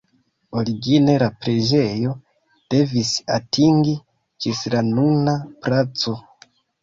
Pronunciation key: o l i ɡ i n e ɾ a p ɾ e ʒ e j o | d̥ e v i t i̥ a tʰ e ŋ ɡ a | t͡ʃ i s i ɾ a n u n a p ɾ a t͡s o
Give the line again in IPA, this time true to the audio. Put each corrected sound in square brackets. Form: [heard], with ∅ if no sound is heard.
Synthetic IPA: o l i ɡ i n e ɾ a p ɾ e ʒ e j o | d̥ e v i [s] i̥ a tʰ [i] ŋ ɡ [i] | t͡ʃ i s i ɾ a n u n a p ɾ a t͡s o